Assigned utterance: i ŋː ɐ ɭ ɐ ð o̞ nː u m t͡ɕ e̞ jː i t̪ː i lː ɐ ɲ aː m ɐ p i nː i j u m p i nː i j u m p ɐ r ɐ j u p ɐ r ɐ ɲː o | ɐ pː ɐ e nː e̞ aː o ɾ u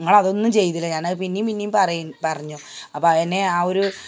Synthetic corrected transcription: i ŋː ɐ ɭ ɐ ð o̞ nː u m t͡ɕ e̞ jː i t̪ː i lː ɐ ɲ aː n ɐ p i nː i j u m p i nː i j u m p ɐ r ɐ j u p ɐ r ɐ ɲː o | ɐ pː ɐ e nː e̞ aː o ɾ u